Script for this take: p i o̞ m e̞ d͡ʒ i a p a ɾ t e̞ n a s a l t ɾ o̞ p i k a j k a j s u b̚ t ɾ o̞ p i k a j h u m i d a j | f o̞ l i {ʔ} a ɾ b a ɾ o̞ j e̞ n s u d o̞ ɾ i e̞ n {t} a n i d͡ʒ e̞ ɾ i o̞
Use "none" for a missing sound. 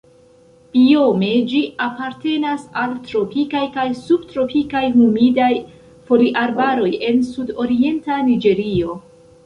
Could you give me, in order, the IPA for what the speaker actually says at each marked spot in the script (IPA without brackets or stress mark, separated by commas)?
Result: ʔ, t